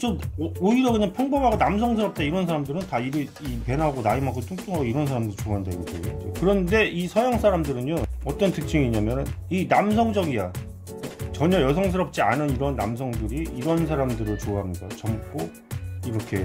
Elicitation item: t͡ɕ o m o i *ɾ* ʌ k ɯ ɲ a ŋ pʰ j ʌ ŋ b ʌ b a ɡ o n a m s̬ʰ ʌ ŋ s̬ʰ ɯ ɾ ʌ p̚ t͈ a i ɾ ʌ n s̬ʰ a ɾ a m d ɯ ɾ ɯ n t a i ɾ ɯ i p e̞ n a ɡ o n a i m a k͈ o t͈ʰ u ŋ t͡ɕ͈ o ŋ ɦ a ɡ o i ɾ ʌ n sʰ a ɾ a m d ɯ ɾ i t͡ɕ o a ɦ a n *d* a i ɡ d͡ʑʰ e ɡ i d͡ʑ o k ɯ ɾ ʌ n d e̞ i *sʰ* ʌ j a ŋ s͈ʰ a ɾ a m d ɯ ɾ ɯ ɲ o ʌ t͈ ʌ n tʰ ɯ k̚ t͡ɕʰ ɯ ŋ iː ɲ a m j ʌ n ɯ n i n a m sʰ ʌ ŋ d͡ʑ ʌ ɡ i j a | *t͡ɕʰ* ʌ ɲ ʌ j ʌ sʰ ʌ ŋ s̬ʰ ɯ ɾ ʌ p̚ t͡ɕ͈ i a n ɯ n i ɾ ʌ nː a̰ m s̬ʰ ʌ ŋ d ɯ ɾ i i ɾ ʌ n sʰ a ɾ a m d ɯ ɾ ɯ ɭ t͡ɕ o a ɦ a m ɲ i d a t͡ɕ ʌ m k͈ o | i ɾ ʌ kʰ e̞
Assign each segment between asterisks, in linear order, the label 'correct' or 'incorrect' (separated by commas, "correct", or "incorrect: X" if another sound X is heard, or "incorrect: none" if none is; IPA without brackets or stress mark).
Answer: correct, correct, correct, incorrect: t͡ɕ